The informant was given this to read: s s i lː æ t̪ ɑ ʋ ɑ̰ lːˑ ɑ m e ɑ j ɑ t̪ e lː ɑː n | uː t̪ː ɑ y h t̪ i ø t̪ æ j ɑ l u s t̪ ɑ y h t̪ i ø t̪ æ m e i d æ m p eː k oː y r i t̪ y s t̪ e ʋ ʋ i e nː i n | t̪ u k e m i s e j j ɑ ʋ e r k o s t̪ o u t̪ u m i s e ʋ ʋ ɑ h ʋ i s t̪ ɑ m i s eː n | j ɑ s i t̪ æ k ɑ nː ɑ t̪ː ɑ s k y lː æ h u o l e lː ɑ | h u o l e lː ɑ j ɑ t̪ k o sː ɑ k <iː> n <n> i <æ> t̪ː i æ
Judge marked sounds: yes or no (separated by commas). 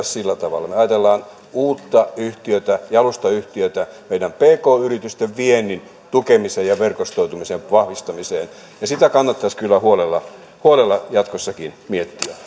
no, no, no